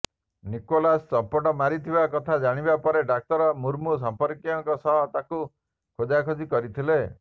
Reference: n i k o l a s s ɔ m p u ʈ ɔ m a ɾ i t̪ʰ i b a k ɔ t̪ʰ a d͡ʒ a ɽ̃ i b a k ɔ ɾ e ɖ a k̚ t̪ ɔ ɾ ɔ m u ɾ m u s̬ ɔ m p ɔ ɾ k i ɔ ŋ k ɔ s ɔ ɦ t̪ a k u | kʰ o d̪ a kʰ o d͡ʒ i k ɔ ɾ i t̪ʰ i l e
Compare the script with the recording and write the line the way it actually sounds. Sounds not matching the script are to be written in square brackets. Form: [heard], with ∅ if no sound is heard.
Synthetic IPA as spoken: n i k o l a s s ɔ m p [ɔ] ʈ ɔ m a ɾ i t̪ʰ i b a k ɔ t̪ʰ a d͡ʒ a ɽ̃ i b a [p] ɔ ɾ e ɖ a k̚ t̪ ɔ ɾ ɔ m u ɾ m u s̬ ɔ m p ɔ ɾ k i ɔ ŋ k ɔ s ɔ ɦ t̪ a k u | kʰ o d̪ a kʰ o d͡ʒ i k ɔ ɾ i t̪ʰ i l e